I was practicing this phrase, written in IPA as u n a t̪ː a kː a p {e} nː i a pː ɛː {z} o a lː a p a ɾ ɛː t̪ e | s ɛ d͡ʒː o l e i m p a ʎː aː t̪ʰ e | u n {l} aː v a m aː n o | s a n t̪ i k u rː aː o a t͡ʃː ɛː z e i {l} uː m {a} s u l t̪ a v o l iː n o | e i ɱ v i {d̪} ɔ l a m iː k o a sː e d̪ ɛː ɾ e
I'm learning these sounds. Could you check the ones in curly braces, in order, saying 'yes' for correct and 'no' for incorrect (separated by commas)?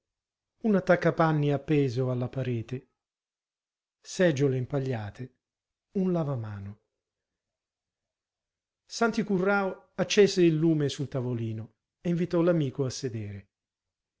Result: no, yes, yes, no, no, no